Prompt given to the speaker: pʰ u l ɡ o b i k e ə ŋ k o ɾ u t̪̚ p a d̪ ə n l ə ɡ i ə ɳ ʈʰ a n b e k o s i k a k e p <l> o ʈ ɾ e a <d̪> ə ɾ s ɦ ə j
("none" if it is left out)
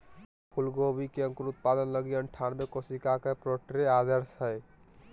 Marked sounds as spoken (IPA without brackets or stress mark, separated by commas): ɾ, d̪